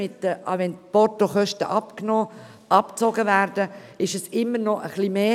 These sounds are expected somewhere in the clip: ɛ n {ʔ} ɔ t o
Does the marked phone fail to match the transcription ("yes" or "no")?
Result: yes